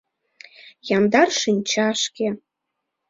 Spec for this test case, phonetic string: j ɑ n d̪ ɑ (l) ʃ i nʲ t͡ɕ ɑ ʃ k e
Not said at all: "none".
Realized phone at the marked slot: r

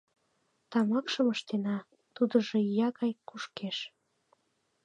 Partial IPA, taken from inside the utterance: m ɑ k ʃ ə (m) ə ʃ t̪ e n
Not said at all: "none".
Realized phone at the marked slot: m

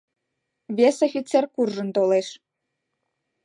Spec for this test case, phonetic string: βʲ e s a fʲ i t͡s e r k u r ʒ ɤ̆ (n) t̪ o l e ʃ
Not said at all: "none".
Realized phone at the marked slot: n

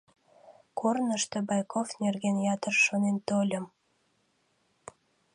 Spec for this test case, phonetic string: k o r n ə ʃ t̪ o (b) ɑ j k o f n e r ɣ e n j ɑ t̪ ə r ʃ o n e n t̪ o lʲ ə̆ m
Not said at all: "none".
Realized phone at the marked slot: b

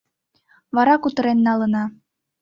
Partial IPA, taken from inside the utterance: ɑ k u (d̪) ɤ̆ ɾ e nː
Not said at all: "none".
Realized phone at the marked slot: t̪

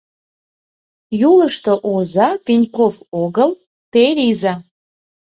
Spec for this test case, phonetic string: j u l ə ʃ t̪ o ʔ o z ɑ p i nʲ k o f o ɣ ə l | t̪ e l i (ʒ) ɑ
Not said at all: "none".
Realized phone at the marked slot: z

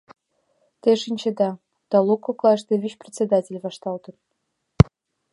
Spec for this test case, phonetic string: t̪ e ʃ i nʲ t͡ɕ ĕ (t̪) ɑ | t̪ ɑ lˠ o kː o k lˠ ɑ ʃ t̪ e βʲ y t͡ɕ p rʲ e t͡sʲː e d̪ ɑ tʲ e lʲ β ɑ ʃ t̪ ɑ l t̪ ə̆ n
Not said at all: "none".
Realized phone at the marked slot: d̪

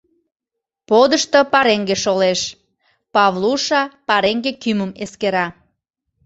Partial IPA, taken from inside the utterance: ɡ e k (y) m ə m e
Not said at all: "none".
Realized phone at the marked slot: y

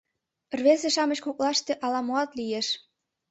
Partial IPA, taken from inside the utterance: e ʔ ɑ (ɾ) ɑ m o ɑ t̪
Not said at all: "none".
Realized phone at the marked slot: l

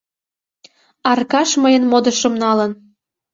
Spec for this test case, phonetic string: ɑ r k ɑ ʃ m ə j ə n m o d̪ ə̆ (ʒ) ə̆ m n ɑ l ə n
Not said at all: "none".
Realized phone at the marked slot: ʃ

